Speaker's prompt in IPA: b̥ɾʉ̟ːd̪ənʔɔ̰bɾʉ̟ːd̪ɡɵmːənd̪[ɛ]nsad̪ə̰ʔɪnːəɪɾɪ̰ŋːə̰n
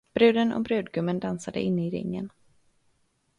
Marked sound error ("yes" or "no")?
yes